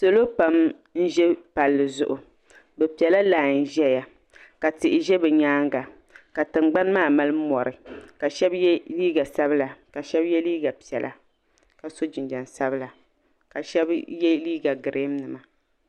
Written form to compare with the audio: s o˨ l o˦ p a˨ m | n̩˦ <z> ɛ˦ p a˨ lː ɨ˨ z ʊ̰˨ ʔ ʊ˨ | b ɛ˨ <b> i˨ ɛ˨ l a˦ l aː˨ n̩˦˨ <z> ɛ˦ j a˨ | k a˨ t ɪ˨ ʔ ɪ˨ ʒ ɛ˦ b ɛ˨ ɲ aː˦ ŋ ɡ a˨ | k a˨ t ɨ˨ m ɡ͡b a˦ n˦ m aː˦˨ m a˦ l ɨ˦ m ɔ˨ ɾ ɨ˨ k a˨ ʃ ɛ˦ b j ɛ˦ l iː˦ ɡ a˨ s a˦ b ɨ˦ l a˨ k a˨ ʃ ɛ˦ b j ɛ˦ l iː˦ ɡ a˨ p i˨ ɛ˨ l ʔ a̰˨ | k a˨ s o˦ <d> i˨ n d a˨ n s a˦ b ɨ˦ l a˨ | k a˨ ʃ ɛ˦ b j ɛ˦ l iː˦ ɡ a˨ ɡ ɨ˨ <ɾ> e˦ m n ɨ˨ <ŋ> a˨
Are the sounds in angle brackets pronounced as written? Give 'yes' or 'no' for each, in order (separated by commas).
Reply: no, no, no, no, yes, no